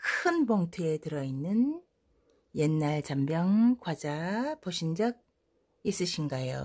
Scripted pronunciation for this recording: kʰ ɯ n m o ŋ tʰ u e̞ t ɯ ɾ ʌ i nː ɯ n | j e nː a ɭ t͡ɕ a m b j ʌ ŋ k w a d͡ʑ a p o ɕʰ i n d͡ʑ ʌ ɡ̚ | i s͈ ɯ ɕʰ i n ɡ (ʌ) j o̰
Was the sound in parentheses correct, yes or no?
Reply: no